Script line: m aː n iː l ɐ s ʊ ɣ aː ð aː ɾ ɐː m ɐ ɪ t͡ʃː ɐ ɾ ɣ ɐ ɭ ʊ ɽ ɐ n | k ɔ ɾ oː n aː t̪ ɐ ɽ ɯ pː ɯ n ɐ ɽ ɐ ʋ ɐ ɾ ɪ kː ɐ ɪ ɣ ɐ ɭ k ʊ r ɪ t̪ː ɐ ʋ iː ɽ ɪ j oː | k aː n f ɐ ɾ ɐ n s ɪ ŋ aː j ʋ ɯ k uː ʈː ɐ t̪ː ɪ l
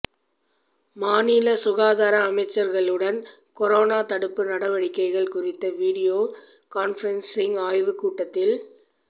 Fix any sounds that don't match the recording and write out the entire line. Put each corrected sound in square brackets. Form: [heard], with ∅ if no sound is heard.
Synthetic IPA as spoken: m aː n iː l ɐ s ʊ ɣ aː ð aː ɾ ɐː m ɐ ɪ t͡ʃː ɐ ɾ ɣ ɐ ɭ [ɯ] ɽ ɐ n | k ɔ ɾ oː n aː t̪ ɐ ɽ ɯ pː ɯ n ɐ ɽ ɐ ʋ ɐ [ɽ] ɪ kː ɐ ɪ ɣ ɐ ɭ k ʊ r ɪ t̪ː ɐ ʋ iː ɽ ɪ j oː | k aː n f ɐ ɾ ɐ n s ɪ ŋ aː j ʋ ɯ k uː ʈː ɐ t̪ː ɪ l